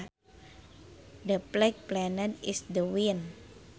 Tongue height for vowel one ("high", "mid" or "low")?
mid